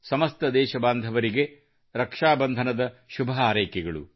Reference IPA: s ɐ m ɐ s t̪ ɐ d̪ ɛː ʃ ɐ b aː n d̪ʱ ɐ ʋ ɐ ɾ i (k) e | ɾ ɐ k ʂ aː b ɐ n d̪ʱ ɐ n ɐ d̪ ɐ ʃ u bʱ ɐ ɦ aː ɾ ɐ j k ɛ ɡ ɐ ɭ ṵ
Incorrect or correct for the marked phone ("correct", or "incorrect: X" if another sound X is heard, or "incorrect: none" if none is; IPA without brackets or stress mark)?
incorrect: ɡ